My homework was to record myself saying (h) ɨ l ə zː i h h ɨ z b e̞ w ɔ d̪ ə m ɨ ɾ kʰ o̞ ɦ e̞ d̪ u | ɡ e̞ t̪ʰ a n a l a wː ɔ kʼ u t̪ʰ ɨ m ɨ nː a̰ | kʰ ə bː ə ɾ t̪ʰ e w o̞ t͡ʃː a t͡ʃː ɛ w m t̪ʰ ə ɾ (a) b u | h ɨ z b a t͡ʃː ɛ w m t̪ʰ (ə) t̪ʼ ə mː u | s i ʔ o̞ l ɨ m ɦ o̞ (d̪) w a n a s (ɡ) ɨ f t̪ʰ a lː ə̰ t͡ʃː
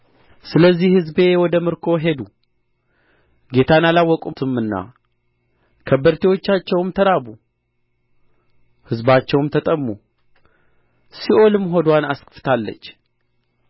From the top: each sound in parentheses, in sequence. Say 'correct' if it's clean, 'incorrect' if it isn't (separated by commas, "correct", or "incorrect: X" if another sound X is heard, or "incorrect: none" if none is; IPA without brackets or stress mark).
incorrect: s, correct, correct, correct, incorrect: k